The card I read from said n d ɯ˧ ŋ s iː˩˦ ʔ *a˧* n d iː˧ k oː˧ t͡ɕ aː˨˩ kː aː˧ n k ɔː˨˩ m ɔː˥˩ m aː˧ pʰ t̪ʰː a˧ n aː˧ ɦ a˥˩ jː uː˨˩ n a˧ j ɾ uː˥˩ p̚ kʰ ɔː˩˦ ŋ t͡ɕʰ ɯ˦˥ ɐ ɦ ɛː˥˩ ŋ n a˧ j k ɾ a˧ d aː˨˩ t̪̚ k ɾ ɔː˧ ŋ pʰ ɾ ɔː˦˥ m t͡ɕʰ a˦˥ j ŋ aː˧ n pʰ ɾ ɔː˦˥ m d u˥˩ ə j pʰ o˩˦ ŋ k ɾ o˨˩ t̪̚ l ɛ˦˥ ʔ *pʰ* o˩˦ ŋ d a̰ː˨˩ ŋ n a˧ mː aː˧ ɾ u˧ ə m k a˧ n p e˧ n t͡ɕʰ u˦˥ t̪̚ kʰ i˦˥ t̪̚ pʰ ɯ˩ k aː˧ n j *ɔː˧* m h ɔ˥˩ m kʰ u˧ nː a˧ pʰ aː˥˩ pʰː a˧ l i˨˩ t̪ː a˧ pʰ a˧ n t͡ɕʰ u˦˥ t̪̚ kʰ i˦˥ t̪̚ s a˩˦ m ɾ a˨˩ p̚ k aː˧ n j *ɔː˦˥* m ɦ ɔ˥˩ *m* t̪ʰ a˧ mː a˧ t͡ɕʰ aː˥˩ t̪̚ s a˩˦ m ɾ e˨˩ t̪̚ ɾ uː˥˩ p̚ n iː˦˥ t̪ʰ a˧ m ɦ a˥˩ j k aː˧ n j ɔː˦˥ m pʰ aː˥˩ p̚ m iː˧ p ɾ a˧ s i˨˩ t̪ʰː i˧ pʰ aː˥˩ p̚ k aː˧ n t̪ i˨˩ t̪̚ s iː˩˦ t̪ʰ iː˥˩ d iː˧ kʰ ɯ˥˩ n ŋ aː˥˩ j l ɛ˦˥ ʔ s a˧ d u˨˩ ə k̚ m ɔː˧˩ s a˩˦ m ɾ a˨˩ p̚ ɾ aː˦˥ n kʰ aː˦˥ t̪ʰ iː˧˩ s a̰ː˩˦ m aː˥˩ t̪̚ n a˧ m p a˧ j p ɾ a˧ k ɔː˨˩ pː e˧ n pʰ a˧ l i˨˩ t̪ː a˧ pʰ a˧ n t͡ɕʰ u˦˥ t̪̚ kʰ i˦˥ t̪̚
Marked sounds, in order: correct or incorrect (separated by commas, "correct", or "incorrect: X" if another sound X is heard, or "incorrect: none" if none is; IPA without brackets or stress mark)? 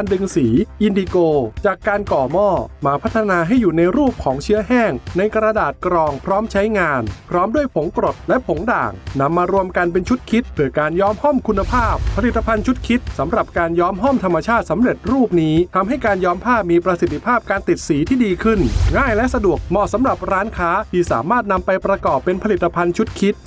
incorrect: i˧, correct, incorrect: ɔː˦˥, correct, correct